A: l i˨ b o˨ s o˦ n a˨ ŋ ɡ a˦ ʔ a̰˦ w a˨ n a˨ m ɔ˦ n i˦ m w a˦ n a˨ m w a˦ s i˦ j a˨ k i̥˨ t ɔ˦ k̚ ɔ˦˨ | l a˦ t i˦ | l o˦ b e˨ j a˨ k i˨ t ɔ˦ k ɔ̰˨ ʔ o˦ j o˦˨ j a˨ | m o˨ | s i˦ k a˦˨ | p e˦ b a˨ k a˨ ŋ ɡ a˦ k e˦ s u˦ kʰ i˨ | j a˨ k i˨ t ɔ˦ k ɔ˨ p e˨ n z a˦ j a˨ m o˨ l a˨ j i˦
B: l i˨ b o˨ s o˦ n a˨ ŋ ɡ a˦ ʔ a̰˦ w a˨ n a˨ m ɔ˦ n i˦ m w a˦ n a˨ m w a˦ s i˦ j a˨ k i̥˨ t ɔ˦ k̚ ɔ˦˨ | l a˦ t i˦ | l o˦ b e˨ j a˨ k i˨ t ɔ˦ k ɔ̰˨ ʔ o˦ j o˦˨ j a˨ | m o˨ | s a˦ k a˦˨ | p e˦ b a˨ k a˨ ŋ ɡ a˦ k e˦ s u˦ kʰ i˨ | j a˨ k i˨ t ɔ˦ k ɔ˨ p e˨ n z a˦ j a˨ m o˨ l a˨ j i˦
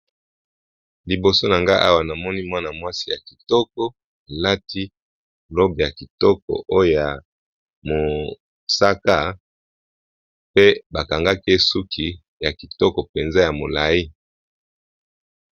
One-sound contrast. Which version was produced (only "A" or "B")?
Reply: B